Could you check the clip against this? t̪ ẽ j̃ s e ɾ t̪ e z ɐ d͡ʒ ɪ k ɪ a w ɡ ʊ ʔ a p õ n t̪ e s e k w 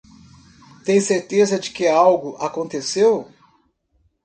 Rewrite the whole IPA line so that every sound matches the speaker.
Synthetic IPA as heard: t̪ ẽ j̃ s e ɾ t̪ e z ɐ d͡ʒ ɪ k ɪ a w ɡ ʊ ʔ a k õ n t̪ e s e w